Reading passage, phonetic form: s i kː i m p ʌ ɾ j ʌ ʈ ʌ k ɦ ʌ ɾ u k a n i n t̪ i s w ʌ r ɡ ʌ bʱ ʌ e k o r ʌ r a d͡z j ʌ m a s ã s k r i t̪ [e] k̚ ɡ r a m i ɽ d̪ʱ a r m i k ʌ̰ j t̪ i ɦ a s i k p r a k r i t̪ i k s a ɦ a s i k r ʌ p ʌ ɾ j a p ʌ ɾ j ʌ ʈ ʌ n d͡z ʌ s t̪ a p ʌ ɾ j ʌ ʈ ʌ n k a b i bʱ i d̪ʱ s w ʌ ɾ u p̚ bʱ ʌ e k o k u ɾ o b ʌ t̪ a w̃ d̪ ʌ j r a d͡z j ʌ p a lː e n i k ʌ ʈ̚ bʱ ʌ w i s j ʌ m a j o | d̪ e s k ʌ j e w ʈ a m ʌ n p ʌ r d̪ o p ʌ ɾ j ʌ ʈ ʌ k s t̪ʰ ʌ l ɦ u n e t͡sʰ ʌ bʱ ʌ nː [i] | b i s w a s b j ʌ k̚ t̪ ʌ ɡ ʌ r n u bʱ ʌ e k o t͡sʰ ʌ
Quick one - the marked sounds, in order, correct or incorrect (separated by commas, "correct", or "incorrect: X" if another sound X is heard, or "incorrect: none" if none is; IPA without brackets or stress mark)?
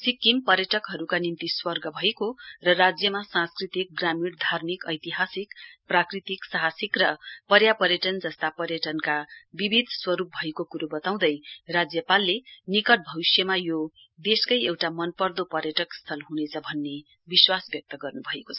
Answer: incorrect: i, incorrect: e